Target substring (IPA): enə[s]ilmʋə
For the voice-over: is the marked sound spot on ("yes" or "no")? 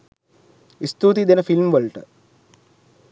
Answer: no